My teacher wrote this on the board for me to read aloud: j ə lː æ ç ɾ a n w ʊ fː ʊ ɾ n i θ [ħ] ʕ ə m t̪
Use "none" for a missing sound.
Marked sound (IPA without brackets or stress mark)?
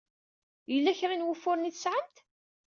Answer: s